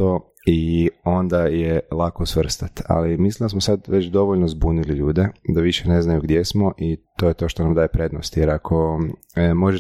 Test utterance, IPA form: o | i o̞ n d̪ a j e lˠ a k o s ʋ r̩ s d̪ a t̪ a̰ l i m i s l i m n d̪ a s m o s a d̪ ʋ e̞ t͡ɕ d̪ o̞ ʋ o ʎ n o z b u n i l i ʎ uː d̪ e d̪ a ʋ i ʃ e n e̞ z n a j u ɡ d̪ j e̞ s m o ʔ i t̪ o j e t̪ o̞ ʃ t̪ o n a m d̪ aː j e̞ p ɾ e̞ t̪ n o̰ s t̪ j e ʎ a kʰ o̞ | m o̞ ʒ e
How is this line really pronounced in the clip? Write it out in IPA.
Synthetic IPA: o | i o̞ n d̪ a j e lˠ a k o s ʋ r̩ s t̪ a t̪ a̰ l i m i s l i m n d̪ a s m o s a d̪ ʋ e̞ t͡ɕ d̪ o̞ ʋ o ʎ n o z b u n i l i ʎ uː d̪ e d̪ a ʋ i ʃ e n e̞ z n a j u ɡ d̪ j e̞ s m o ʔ i t̪ o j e t̪ o̞ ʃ t̪ o n a m d̪ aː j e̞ p ɾ e̞ d̪ n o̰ s t̪ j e ɾ a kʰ o̞ | m o̞ ʒ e